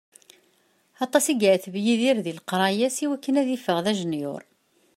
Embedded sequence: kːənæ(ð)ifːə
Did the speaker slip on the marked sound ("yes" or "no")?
no